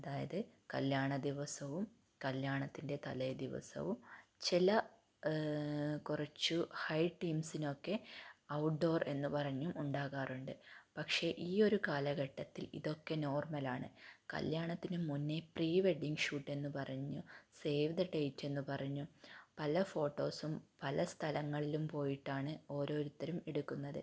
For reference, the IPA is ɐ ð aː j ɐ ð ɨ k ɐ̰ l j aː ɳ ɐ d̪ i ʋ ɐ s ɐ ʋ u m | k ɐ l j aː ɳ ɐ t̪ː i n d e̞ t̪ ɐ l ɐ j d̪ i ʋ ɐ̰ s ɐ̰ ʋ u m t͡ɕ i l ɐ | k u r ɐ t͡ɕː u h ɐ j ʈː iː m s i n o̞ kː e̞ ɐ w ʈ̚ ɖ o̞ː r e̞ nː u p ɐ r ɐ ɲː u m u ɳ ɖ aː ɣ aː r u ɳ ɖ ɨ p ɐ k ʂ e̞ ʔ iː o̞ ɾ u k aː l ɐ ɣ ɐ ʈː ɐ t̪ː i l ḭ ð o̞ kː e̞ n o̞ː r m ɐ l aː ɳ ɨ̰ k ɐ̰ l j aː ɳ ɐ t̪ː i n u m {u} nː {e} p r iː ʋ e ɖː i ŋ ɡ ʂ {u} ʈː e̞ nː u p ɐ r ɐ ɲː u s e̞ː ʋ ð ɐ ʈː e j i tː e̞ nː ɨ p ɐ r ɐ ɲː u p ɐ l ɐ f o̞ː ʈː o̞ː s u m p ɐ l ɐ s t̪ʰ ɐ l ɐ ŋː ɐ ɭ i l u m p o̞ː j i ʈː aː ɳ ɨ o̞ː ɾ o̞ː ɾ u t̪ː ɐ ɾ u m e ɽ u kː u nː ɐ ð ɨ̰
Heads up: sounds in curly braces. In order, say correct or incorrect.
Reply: correct, correct, incorrect

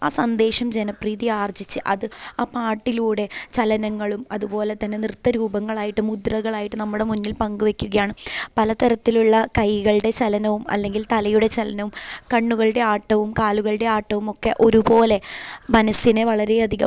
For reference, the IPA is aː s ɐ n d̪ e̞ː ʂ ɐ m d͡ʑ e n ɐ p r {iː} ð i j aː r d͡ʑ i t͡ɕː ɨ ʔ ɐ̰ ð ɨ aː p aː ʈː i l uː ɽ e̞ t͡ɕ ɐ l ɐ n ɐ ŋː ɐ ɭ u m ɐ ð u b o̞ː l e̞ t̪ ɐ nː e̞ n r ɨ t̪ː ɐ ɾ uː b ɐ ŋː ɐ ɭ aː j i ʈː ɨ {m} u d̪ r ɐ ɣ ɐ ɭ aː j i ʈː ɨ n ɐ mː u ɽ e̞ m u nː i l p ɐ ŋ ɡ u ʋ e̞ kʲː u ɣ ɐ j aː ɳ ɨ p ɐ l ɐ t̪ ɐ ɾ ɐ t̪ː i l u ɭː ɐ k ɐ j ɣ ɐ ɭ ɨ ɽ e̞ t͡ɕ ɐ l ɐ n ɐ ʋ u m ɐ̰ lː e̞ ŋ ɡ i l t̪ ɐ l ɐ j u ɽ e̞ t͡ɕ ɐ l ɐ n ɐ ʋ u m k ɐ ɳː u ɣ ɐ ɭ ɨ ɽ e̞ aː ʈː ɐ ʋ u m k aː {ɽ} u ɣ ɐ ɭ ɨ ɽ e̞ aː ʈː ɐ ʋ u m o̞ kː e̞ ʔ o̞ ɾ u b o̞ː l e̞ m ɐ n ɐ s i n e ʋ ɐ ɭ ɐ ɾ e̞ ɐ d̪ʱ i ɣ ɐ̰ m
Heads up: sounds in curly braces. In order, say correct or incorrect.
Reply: correct, correct, incorrect

